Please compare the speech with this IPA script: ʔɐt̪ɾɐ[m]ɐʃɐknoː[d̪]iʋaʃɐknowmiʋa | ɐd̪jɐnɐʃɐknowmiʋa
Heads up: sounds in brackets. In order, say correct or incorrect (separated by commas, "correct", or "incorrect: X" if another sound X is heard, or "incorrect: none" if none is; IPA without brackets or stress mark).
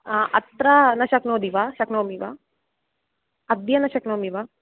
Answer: incorrect: n, correct